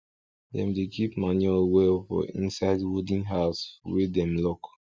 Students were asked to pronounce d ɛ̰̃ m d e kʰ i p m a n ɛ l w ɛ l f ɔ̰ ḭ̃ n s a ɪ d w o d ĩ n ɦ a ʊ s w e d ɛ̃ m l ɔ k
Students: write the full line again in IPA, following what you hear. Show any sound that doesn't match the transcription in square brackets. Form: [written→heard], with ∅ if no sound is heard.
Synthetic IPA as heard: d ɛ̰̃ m d e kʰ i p m a n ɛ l w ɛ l f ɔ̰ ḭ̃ n s a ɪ d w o d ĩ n ɦ a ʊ s w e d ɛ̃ m l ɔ k